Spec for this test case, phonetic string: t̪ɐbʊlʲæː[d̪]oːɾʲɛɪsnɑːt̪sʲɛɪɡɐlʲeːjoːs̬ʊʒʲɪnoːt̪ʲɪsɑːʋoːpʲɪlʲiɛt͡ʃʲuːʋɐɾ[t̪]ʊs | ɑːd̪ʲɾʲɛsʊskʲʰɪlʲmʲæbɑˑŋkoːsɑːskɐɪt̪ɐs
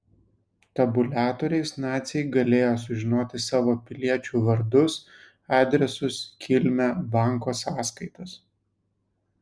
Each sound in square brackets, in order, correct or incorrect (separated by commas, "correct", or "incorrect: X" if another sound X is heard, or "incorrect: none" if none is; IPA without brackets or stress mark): incorrect: t̪, incorrect: d̪